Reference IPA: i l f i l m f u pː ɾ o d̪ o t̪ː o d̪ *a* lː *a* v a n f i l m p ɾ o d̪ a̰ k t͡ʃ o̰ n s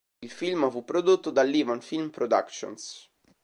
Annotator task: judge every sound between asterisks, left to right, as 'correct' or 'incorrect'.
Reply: correct, incorrect: i

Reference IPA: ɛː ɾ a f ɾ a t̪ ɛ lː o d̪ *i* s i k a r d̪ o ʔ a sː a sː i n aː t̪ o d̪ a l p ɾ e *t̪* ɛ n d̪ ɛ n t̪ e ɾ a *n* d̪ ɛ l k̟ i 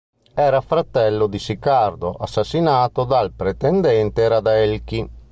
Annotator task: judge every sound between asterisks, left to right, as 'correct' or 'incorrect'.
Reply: correct, correct, incorrect: none

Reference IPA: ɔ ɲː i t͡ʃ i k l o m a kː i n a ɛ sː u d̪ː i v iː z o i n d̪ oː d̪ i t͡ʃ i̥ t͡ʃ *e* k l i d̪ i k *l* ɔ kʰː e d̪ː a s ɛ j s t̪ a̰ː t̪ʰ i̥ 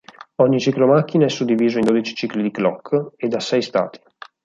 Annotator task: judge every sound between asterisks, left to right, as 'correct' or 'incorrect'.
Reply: incorrect: i, correct

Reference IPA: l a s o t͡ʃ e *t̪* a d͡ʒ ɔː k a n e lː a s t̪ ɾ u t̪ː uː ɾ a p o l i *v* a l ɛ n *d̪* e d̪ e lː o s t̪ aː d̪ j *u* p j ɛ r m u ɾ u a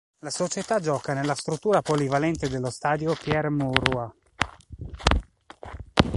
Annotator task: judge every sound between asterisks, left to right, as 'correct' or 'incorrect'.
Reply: correct, correct, incorrect: t̪, incorrect: o

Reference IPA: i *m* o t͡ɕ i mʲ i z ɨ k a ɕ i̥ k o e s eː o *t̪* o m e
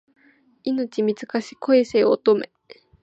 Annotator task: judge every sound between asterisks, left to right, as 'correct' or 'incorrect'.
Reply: incorrect: n, correct

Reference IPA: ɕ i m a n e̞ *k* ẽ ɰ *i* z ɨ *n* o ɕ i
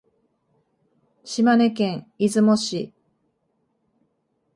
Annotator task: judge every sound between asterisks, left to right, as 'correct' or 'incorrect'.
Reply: correct, correct, incorrect: m

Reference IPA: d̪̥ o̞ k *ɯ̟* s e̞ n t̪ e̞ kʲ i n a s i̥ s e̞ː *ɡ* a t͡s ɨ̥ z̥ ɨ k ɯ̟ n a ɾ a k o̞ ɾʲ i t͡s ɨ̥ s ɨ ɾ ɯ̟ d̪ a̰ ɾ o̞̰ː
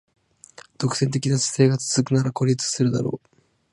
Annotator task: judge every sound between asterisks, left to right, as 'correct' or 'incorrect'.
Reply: correct, correct

